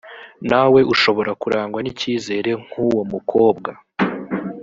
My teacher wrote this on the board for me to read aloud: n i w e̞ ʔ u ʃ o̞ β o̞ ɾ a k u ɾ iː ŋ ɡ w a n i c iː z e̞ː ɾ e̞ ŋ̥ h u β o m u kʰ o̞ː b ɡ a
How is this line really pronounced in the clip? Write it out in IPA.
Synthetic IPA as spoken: n a w e̞ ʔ u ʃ o̞ β o̞ ɾ a k u ɾ aː ŋ ɡ w a n i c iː z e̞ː ɾ e̞ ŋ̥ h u w o m u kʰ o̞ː b ɡ a